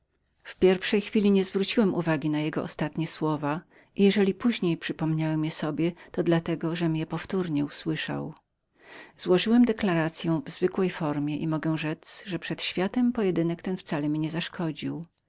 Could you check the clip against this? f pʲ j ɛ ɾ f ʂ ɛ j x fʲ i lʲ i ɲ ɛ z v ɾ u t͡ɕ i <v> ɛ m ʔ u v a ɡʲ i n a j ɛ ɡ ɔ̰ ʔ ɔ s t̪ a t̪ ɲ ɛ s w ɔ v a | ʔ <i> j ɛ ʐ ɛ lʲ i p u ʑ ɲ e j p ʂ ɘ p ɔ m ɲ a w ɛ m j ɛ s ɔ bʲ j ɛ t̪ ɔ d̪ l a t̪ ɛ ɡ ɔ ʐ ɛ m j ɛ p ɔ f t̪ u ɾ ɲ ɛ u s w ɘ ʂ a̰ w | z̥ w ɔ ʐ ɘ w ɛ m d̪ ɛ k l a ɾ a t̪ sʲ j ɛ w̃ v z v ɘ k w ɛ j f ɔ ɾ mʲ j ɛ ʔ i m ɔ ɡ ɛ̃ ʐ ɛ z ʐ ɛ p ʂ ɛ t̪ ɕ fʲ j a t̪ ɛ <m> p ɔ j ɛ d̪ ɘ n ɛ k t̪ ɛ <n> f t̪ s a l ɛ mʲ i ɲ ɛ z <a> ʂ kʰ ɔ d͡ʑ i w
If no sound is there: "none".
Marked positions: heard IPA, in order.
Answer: w, i, m, n, a

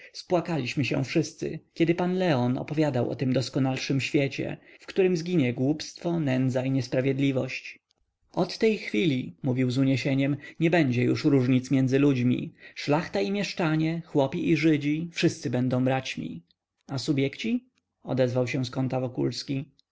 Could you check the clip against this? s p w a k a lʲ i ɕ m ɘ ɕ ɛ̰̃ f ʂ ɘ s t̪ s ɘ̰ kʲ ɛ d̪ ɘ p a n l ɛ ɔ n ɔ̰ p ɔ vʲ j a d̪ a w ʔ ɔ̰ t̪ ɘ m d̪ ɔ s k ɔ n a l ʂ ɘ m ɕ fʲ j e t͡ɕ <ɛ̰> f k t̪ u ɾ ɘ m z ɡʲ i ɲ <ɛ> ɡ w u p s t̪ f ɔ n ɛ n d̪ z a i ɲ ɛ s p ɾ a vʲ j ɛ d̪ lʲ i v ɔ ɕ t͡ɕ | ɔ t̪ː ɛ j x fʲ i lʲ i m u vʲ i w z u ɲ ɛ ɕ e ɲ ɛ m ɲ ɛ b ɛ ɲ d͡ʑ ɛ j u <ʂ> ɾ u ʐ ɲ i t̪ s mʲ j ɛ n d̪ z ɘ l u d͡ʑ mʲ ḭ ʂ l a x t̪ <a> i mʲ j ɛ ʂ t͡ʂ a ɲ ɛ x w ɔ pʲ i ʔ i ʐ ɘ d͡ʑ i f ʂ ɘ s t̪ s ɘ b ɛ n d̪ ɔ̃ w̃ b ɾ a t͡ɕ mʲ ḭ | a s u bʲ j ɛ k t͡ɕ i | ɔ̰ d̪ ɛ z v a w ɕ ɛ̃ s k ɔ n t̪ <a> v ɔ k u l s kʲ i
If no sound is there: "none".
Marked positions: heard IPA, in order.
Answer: ɛ̰, ɛ, ʂ, a, a

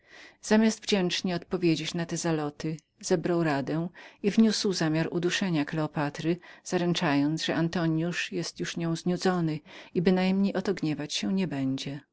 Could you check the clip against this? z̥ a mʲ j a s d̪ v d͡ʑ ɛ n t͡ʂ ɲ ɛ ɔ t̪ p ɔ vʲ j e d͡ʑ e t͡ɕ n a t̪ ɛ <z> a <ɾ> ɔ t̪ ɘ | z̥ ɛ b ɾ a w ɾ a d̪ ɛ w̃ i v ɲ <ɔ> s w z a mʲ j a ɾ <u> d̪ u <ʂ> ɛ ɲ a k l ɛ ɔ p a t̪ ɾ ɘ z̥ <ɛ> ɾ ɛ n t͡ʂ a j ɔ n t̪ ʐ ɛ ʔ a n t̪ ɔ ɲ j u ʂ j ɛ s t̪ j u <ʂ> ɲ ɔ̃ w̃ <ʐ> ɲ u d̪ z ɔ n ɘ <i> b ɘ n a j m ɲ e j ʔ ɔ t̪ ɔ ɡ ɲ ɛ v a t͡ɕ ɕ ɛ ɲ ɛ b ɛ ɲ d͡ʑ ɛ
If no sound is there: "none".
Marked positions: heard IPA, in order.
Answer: z, l, u, u, ʂ, a, ʂ, z, i

